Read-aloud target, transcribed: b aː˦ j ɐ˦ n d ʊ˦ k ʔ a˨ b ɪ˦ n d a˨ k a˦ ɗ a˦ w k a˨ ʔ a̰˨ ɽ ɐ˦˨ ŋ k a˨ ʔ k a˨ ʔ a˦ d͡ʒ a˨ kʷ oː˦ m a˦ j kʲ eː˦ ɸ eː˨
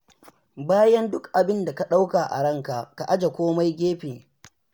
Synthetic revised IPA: b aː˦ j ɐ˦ n d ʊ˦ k ʔ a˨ b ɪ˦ n d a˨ k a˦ ɗ a˦ w k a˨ ʔ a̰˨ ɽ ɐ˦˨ ŋ k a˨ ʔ k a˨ ʔ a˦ d͡ʒ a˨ kʷ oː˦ m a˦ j ɡʲ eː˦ ɸ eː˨